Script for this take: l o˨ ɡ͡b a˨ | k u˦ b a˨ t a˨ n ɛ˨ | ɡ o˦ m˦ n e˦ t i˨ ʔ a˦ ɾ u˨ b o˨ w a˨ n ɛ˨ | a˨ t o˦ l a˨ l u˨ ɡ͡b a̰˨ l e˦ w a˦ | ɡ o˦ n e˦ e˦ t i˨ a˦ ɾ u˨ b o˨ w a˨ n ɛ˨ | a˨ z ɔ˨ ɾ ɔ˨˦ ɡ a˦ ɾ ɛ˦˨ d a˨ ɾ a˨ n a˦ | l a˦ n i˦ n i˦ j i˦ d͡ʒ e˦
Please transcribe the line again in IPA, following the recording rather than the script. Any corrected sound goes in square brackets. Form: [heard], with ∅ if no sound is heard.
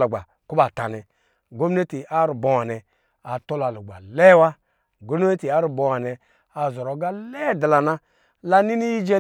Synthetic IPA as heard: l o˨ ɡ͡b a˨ | k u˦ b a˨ t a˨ n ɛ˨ | ɡ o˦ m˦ n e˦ t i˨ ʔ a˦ ɾ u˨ b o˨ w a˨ n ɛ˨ | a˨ t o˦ l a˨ l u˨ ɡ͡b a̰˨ l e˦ w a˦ | ɡ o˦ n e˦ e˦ t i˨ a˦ ɾ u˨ b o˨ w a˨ n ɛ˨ | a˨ z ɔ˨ ɾ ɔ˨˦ ɡ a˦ [l] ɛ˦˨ d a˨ [l] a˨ n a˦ | l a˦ n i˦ n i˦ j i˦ d͡ʒ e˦